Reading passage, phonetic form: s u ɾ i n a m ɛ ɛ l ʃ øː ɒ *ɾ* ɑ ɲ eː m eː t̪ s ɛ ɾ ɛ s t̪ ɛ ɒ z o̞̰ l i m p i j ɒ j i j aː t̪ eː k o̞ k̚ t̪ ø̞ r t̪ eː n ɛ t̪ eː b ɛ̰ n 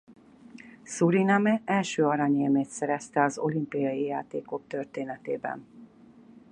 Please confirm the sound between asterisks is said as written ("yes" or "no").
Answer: yes